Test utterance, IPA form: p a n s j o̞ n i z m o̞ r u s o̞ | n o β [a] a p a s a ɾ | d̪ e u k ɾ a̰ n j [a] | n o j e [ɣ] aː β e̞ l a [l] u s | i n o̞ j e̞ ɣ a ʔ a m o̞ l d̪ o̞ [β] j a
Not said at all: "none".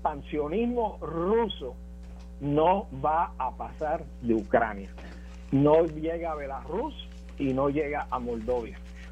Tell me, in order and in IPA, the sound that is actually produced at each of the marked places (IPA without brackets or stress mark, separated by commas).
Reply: a, a, ɣ, r, β